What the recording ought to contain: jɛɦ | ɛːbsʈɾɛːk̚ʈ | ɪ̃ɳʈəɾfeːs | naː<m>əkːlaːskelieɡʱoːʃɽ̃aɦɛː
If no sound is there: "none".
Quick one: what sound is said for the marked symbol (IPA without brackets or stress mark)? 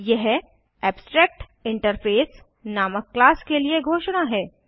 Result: m